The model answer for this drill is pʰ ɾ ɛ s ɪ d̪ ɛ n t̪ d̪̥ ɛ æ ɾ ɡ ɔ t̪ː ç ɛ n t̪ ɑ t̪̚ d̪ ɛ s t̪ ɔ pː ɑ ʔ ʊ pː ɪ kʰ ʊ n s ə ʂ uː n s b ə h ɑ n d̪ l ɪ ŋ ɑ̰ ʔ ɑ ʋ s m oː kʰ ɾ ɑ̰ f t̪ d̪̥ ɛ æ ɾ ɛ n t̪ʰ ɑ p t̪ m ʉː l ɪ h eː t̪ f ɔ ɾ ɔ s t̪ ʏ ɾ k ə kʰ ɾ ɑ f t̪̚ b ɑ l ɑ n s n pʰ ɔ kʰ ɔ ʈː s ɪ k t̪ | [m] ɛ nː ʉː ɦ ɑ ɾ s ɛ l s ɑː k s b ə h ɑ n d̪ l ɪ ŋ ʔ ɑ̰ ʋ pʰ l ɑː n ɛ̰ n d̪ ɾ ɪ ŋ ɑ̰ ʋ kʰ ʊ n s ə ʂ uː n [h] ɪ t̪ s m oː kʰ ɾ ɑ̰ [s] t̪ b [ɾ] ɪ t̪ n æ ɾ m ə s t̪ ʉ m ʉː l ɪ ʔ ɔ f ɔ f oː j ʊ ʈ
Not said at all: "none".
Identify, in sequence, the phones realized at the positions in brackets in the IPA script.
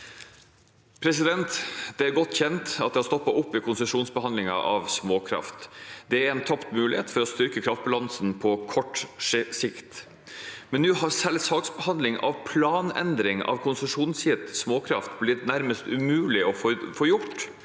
m, s, f, l

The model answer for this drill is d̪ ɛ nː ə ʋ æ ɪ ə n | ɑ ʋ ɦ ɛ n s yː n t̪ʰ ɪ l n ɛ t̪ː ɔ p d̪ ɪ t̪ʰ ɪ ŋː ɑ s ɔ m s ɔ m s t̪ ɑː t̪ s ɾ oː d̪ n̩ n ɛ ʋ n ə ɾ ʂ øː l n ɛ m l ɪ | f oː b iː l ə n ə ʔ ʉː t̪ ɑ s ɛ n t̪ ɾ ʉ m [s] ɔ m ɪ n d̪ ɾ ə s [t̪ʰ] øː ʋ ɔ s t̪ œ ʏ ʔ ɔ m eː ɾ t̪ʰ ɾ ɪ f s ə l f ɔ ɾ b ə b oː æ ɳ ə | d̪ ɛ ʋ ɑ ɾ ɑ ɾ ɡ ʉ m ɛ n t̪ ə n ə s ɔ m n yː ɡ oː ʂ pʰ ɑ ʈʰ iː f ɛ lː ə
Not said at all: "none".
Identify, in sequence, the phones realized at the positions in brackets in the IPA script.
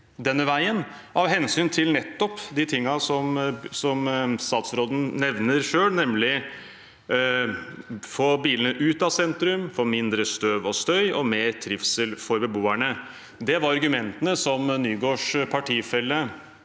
f, t̪

